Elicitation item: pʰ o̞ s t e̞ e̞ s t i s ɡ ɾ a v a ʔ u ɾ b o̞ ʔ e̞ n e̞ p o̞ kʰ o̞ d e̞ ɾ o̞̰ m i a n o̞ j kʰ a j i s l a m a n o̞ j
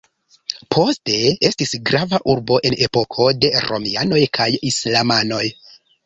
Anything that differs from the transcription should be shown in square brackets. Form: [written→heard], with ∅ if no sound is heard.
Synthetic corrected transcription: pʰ o̞ s t e̞ e̞ s t i s ɡ ɾ a v a ʔ u ɾ b o̞ ʔ e̞ n e̞ p o̞ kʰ o̞ d e̞ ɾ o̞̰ m i a n o̞ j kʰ a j i s l a m a n o̞ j

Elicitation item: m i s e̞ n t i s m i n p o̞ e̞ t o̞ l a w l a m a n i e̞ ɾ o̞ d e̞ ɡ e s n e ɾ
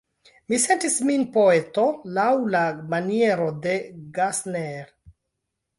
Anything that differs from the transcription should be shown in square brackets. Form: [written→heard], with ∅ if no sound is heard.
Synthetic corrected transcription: m i s e̞ n t i s m i n p o̞ e̞ t o̞ l a w l a m a n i e̞ ɾ o̞ d e̞ ɡ [e→a] s n e ɾ

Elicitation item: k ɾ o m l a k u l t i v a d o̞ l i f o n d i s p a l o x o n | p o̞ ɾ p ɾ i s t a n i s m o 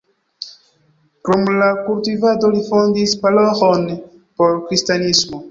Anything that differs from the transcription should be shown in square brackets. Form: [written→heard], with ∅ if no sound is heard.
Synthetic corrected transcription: k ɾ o m l a k u l t i v a d o̞ l i f o n d i s p a l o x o n | p o̞ ɾ [p→k] ɾ i s t a n i s m o

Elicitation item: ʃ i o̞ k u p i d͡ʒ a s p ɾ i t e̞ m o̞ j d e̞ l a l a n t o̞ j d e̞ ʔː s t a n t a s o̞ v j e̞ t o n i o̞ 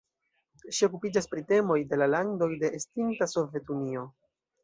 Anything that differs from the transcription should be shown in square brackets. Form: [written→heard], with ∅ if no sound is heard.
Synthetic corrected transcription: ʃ i o̞ k u p i d͡ʒ a s p ɾ i t e̞ m o̞ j d e̞ l a l a n [t→d] o̞ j d e̞ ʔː s t [a→i] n t a s o̞ v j e̞ t [o→u] n i o̞

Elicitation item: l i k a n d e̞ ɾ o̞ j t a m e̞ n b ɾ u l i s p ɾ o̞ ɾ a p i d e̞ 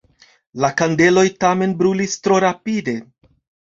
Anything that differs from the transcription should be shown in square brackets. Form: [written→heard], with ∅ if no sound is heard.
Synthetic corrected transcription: l [i→a] k a n d e̞ [ɾ→l] o̞ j t a m e̞ n b ɾ u l i s [p→t] ɾ o̞ ɾ a p i d e̞

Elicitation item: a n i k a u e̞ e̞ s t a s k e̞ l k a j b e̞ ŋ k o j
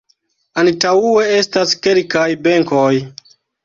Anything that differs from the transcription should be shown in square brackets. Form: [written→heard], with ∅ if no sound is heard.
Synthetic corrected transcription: a n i [k→t] a u e̞ e̞ s t a s k e̞ l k a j b e̞ ŋ k o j

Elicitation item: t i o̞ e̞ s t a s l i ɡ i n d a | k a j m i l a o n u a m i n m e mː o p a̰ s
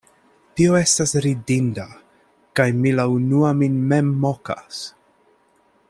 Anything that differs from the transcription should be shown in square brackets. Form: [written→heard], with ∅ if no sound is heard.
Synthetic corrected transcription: t i o̞ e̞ s t a s [l→ɾ] i [ɡ→d] i n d a | k a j m i l a [o→u] n u a m i n m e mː o [p→k] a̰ s

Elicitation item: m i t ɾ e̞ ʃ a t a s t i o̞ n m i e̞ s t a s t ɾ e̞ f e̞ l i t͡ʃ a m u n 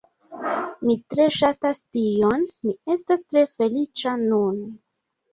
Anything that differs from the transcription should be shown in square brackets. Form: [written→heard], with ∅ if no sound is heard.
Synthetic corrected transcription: m i t ɾ e̞ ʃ a t a s t i o̞ n m i e̞ s t a s t ɾ e̞ f e̞ l i t͡ʃ a [m→n] u n

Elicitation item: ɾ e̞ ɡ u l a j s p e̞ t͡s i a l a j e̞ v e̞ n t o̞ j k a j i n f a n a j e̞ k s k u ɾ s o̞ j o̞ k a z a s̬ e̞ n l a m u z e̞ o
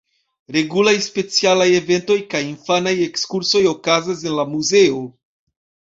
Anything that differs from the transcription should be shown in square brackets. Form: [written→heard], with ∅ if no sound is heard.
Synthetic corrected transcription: ɾ e̞ ɡ u l a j s p e̞ t͡s i a l a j e̞ v e̞ n t o̞ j k a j i n f a n a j e̞ k s k u ɾ s o̞ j o̞ k a z a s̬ e̞ n l a m u z e̞ o

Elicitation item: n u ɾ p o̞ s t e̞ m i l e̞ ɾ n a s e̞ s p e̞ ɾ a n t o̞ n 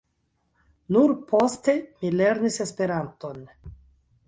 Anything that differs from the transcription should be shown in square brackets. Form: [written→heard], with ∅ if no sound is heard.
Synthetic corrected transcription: n u ɾ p o̞ s t e̞ m i l e̞ ɾ n [a→i] s e̞ s p e̞ ɾ a n t o̞ n

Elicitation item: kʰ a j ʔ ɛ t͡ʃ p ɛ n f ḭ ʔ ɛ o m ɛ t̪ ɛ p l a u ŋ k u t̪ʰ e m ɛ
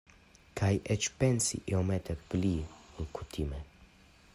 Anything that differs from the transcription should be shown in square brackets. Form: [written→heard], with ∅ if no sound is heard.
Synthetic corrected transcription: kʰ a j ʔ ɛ t͡ʃ p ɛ n [f→s] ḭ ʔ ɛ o m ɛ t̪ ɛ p l [a→i] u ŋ k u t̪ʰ [e→i] m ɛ

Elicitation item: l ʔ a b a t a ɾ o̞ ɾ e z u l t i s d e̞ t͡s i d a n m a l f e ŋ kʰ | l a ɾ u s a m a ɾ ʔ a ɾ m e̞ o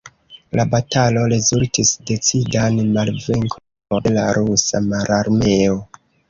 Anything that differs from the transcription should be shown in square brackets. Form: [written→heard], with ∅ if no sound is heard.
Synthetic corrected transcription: l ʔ a b a t a [ɾ→l] o̞ ɾ e z u l t i s d e̞ t͡s i d a n m a l [f→v] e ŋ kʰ | l a ɾ u s a m a ɾ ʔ a ɾ m e̞ o

